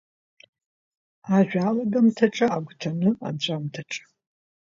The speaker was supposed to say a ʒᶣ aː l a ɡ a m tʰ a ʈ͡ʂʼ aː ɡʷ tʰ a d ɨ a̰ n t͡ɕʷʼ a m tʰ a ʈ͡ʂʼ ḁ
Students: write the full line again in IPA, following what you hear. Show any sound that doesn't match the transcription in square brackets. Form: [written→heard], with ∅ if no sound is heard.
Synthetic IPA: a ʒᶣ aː l a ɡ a m tʰ a ʈ͡ʂʼ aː ɡʷ tʰ a [d→n] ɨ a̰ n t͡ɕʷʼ a m tʰ a ʈ͡ʂʼ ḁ